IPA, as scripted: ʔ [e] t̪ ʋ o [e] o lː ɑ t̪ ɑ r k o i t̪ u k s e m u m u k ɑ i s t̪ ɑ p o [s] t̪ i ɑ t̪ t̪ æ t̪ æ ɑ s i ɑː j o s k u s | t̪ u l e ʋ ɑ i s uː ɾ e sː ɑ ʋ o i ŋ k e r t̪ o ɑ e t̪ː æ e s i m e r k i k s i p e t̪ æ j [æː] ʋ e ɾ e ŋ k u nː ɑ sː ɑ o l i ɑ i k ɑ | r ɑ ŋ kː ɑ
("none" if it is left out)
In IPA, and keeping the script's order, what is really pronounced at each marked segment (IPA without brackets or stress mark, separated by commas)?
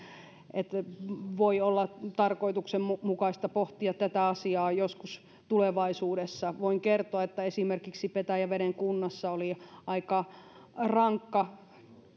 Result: e, i, h, æ